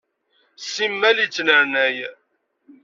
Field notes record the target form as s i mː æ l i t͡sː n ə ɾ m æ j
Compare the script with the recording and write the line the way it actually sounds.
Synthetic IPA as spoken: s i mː æ l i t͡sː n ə ɾ n æ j

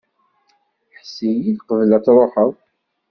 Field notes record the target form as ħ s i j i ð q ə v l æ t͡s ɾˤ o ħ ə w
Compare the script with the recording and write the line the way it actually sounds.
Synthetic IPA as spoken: ħ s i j i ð q ə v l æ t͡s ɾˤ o ħ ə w

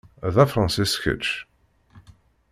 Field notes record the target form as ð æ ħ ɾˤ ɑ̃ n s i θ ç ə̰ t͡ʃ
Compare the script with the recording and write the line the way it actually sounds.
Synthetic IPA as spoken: ð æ f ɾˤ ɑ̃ n s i s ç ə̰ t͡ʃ

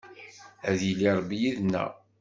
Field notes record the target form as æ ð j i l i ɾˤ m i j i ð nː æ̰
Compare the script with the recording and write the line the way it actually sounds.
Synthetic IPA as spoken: æ ð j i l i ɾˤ b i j i ð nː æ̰

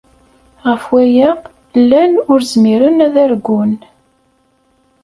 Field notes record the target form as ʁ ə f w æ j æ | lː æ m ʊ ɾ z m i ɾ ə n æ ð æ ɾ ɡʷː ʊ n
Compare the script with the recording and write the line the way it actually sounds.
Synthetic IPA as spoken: ʁ ə f w æ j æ | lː æ n ʊ ɾ z m i ɾ ə n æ ð æ ɾ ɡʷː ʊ n

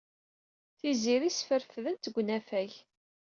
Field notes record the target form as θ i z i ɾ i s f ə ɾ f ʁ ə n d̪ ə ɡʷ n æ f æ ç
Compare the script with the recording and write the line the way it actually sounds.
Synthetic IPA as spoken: θ i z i ɾ i s f ə ɾ f ð ə n t̪ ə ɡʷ n æ f æ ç

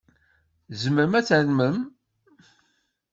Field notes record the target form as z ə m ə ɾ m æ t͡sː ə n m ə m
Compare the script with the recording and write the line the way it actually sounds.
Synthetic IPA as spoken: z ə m ə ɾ m æ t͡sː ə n m ə m

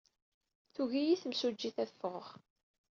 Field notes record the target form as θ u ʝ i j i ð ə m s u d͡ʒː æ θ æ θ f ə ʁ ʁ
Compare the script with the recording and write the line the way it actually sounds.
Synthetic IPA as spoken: θ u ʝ i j i θ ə m s u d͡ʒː i θ æ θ f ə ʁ ʁ

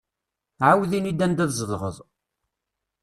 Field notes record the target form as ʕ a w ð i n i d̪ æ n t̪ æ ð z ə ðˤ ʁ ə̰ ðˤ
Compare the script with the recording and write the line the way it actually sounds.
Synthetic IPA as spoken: ʕ a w ð i n i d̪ æ n d̪ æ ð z ə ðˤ ʁ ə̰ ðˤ

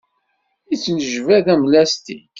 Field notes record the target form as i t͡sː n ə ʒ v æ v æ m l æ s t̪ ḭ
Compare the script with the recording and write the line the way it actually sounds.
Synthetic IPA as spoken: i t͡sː n ə ʒ v æ ð æ m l æ s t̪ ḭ

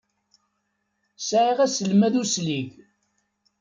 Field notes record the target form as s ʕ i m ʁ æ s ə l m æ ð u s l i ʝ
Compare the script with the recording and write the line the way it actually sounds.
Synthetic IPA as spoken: s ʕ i ʁ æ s ə l m æ ð u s l i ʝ

